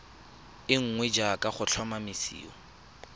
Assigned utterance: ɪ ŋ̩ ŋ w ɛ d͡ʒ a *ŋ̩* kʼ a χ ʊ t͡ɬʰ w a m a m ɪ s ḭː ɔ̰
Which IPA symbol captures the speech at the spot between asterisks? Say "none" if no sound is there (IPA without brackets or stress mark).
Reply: none